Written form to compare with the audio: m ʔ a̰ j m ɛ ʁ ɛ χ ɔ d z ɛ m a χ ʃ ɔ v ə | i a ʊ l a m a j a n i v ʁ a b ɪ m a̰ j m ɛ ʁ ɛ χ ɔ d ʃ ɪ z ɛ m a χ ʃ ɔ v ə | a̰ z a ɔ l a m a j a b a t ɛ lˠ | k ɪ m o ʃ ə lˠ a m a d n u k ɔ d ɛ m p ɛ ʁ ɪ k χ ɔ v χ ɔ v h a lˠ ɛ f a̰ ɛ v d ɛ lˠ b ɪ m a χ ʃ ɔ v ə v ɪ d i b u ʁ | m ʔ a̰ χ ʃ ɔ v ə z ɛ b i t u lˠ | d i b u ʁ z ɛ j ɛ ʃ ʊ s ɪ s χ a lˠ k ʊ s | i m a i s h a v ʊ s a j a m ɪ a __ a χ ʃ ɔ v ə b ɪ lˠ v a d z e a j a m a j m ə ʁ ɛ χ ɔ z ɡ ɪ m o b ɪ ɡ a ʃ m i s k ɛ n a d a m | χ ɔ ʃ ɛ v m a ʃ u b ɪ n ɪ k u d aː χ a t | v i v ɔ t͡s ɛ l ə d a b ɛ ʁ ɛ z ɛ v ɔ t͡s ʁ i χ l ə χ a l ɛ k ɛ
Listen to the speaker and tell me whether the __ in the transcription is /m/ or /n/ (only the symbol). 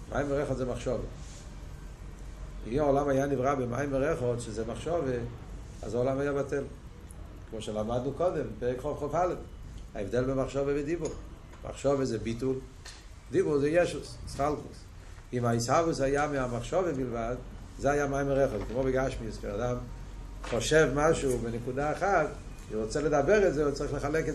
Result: m